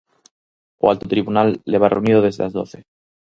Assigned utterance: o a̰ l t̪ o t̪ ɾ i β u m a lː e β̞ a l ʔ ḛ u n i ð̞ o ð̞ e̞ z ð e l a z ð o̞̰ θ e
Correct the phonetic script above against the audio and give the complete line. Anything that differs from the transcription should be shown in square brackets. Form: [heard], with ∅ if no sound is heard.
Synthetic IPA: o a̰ l t̪ o t̪ ɾ i β u [n] a lː e β̞ a [r] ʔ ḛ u n i ð̞ o ð̞ e̞ z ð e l a z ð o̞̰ θ e